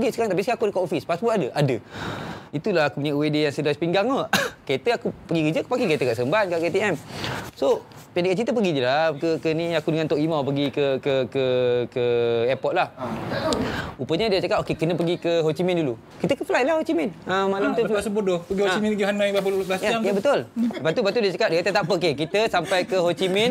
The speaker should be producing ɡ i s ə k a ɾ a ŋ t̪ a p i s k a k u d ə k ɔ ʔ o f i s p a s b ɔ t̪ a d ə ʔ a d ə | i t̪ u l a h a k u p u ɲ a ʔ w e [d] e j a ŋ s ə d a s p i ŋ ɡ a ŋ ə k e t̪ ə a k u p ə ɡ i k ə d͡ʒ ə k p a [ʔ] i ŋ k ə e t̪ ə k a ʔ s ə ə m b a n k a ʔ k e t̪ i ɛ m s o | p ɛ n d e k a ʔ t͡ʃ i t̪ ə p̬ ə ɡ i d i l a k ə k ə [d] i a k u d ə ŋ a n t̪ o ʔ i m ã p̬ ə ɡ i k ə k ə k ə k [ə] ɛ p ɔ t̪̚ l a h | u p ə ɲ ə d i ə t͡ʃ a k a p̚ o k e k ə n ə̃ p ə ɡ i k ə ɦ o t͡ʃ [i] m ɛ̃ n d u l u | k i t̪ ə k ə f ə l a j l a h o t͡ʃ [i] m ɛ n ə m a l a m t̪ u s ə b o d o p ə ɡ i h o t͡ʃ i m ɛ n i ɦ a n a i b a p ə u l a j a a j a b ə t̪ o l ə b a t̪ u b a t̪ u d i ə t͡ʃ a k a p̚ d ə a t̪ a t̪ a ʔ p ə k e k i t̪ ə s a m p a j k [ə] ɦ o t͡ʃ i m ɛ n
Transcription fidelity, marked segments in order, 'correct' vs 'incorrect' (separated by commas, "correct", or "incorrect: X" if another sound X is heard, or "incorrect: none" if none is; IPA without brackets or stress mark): correct, incorrect: k, incorrect: n, correct, correct, correct, correct